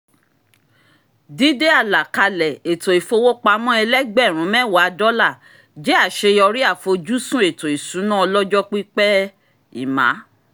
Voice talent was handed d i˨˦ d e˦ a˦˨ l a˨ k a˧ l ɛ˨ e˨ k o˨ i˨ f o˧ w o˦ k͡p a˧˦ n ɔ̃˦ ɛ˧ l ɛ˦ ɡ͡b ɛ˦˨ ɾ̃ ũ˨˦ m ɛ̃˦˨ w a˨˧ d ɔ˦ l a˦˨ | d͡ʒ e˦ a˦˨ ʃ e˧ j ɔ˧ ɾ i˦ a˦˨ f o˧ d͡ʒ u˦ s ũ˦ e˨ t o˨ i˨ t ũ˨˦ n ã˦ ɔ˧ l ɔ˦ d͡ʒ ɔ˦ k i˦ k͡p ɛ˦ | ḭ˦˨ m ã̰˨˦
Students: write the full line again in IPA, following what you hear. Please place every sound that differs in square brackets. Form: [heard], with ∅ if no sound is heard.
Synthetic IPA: d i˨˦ d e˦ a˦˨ l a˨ k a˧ l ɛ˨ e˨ [t] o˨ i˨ f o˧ w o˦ k͡p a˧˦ [m] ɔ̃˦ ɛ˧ l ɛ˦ ɡ͡b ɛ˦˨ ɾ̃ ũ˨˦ m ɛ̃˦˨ w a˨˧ d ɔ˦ l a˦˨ | d͡ʒ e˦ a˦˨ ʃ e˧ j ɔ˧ ɾ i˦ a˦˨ f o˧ d͡ʒ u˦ s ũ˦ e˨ t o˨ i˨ [s] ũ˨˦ n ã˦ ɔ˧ l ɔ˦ d͡ʒ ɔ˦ [k͡p] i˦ k͡p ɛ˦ | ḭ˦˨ m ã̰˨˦